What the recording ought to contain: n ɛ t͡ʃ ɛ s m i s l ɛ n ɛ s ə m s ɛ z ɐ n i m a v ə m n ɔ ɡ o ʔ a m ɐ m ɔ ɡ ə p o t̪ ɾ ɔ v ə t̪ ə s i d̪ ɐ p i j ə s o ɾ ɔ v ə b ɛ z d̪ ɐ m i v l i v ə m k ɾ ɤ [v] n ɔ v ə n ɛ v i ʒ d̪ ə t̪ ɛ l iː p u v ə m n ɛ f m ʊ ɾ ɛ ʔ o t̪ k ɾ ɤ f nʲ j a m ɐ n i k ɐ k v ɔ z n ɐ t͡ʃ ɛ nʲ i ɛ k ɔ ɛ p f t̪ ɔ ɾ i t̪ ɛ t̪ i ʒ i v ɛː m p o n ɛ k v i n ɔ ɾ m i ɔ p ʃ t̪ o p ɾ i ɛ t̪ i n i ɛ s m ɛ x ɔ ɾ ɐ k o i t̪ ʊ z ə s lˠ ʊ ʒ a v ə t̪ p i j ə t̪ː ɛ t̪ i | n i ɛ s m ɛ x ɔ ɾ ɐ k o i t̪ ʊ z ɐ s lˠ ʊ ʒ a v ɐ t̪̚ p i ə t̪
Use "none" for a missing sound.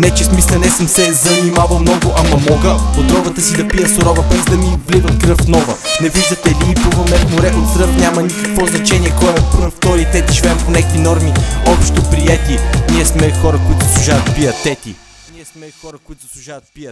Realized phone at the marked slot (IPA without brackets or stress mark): f